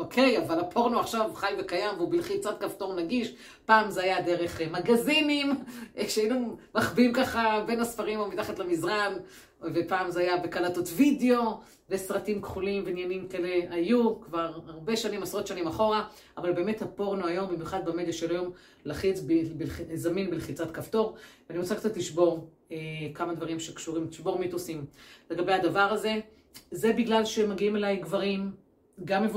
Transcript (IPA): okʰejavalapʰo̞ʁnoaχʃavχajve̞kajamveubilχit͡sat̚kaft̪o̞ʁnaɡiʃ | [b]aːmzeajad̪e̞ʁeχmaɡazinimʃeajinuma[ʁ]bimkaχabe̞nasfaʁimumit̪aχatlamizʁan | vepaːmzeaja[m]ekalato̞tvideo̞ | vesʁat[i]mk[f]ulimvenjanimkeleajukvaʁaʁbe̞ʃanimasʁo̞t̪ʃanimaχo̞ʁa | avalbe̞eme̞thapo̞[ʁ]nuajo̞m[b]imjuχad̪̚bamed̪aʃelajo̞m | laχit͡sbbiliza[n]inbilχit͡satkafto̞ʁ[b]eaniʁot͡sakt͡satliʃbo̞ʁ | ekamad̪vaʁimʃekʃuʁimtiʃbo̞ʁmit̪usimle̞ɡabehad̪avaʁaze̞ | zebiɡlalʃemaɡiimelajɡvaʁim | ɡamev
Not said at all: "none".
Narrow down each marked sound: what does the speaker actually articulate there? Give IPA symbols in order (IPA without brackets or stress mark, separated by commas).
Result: p, χ, b, i, χ, ʁ, b, m, v